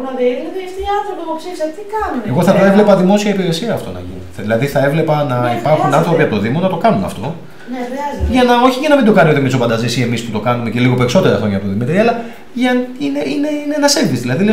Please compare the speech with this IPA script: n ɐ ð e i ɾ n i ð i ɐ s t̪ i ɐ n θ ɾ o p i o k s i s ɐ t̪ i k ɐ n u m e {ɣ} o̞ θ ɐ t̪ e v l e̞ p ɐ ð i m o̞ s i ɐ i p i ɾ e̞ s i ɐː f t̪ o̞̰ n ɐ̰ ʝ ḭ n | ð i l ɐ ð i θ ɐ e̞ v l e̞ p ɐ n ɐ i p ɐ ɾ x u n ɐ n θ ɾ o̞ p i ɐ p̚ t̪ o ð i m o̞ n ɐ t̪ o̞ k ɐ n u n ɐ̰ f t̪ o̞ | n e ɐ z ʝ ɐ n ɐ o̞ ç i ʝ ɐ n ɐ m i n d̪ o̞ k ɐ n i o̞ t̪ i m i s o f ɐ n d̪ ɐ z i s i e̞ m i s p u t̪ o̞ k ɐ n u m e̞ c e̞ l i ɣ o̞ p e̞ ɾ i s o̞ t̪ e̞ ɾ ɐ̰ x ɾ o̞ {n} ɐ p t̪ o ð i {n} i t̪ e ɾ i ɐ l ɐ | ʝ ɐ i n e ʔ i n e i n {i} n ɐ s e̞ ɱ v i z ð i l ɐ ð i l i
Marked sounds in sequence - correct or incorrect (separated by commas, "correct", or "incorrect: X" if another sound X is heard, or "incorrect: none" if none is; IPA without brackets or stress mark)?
correct, incorrect: ɲ, incorrect: m, incorrect: e